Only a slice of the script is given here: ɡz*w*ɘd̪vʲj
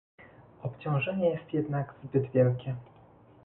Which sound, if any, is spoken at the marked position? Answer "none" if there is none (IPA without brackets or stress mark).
b